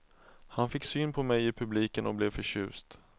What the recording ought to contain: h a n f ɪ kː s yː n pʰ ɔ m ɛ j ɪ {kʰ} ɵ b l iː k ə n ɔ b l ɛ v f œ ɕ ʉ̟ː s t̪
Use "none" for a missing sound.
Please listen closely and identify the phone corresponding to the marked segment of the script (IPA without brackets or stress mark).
pʰ